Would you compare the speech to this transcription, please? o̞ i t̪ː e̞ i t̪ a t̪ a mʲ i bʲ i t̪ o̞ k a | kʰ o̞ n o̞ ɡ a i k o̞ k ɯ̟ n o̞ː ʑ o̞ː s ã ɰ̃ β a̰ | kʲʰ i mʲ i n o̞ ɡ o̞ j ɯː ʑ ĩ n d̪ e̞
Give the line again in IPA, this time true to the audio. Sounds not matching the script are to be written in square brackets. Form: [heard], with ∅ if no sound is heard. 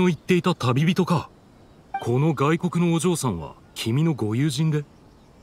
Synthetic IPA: o̞ i t̪ː e̞ i t̪ a t̪ a [bʲ] i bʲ i t̪ o̞ k a | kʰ o̞ n o̞ ɡ a i k o̞ k ɯ̟ n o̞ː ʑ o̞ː s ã ɰ̃ β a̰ | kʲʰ i mʲ i n o̞ ɡ o̞ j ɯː ʑ ĩ n d̪ e̞